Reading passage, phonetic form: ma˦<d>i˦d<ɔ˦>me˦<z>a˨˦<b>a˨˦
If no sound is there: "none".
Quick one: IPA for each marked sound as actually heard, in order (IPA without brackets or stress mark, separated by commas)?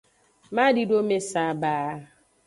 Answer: d, o˦, s, b